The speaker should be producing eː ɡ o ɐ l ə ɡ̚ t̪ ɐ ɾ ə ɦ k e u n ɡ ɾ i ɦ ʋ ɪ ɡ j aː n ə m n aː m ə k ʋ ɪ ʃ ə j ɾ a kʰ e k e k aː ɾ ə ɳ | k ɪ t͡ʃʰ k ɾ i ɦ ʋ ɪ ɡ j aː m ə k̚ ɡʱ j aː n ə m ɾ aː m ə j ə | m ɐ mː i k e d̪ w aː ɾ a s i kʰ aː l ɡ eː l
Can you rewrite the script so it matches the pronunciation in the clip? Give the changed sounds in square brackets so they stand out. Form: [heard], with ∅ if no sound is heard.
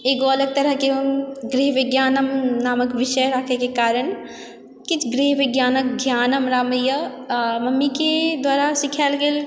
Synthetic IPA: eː ɡ o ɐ l ə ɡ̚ t̪ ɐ ɾ ə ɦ k e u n ɡ ɾ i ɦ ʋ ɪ ɡ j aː n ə m n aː m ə k ʋ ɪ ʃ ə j ɾ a kʰ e k e k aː ɾ ə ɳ | k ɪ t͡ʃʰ [ɡ] ɾ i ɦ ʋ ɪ ɡ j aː [n] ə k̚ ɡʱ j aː n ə m ɾ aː m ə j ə | m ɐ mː i k e d̪ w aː ɾ a s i kʰ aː l ɡ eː l